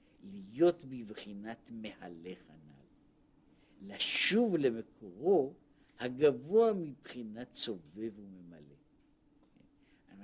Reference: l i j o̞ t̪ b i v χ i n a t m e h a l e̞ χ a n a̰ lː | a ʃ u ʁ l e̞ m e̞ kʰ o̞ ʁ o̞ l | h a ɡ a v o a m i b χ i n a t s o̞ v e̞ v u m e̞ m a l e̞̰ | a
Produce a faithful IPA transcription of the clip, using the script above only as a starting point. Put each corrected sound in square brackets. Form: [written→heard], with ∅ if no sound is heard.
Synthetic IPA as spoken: l i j o̞ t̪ b i v χ i n a t m e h a l e̞ χ a n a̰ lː | a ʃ u [ʁ→v] l e̞ m e̞ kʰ o̞ ʁ o̞ [l→∅] | h a ɡ a v o a m i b χ i n a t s o̞ v e̞ v u m e̞ m a l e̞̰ | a